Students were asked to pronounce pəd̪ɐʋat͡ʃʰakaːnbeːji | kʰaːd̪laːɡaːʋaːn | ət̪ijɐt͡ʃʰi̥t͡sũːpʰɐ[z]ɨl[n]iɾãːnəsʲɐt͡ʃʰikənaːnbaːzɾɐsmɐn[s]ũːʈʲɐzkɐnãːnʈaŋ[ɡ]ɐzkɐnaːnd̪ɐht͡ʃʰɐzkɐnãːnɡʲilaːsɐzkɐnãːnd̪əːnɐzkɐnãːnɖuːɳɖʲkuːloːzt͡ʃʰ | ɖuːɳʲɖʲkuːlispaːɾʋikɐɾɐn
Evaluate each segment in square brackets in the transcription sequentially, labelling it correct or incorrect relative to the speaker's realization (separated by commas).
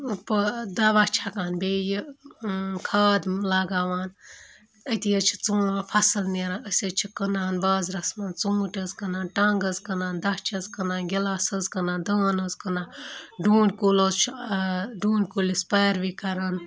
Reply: incorrect, correct, incorrect, correct